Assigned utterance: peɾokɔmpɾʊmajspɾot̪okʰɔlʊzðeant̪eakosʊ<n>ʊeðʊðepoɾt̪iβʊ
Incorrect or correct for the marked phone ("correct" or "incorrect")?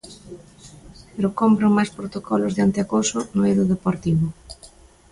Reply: correct